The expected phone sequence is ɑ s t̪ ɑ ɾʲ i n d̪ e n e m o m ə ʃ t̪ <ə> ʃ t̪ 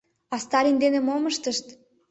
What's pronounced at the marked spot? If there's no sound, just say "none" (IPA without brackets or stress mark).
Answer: ə